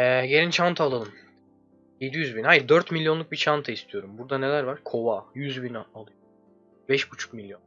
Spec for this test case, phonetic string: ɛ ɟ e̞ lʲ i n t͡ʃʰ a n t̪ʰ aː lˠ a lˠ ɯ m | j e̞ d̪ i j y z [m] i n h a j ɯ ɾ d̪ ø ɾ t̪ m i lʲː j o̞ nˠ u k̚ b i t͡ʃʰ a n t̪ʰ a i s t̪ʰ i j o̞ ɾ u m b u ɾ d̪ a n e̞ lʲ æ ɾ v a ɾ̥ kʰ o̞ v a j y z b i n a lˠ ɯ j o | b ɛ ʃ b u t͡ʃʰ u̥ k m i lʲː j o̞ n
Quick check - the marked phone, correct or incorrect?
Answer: incorrect